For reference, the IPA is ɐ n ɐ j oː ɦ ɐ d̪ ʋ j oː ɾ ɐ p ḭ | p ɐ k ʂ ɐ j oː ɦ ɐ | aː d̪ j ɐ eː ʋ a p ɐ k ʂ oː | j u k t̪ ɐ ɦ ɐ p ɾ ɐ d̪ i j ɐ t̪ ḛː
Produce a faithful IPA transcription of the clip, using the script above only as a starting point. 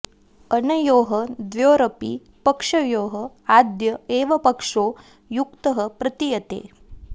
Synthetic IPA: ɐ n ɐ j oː ɦ ɐ d̪ ʋ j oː ɾ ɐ p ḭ | p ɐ k ʂ ɐ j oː ɦ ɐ | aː d̪ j ɐ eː ʋ ɐ p ɐ k ʂ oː | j u k t̪ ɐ ɦ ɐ p ɾ ɐ t̪ i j ɐ t̪ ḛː